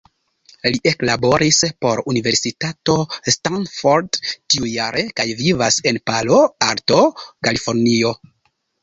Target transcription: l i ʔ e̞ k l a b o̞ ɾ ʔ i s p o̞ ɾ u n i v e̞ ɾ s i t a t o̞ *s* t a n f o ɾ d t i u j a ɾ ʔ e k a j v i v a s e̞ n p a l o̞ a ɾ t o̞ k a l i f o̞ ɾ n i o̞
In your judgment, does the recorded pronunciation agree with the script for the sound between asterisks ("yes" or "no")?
yes